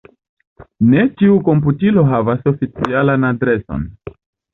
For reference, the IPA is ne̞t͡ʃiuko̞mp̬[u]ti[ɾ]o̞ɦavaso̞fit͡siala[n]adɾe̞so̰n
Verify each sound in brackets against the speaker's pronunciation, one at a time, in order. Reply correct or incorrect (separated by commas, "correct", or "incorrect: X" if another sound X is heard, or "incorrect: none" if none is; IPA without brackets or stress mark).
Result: correct, incorrect: l, correct